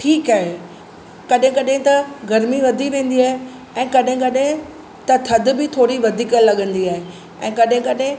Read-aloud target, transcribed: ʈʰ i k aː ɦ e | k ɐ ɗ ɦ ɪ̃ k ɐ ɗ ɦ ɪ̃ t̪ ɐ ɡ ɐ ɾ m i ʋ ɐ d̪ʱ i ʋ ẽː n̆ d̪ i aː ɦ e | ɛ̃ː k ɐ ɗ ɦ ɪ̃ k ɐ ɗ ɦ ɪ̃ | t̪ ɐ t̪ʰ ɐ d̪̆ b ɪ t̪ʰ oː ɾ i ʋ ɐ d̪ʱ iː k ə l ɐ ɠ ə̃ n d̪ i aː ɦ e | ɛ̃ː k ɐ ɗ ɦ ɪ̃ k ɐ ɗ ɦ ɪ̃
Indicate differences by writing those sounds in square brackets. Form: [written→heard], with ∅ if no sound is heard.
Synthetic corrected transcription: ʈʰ [i→iː] k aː ɦ e | k ɐ ɗ ɦ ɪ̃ k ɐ ɗ ɦ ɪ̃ t̪ ɐ ɡ ɐ ɾ m i ʋ ɐ d̪ʱ i ʋ ẽː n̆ d̪ i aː ɦ e | ɛ̃ː k ɐ ɗ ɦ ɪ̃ k ɐ ɗ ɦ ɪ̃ | t̪ ɐ t̪ʰ ɐ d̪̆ b ɪ t̪ʰ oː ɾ i ʋ ɐ d̪ʱ iː k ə l ɐ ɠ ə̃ n d̪ i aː ɦ e | ɛ̃ː k ɐ ɗ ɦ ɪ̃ k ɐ ɗ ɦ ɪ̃